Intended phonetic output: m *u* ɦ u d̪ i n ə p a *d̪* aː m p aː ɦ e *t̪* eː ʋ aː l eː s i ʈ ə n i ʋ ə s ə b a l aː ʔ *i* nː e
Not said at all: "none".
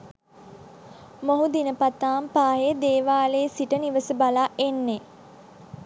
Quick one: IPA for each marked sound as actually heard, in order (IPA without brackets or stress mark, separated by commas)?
o, t̪, d̪, e